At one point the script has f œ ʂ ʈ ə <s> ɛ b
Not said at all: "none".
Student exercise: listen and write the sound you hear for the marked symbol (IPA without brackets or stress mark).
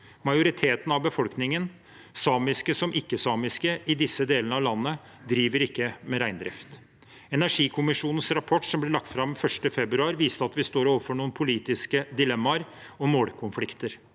f